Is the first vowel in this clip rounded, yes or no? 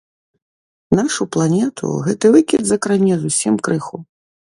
no